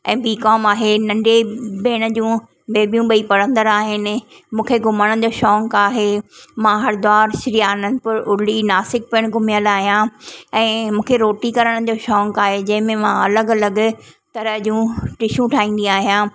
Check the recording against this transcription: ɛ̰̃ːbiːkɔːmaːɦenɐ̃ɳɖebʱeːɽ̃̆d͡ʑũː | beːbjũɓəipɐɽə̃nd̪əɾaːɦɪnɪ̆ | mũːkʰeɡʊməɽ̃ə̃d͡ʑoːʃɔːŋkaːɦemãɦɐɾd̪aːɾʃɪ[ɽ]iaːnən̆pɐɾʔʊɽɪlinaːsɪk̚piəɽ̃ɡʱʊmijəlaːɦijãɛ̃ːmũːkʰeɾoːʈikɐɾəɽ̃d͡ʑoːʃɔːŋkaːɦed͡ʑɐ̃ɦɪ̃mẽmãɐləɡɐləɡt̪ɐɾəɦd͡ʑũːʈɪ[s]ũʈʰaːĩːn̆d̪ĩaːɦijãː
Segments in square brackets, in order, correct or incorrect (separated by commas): incorrect, incorrect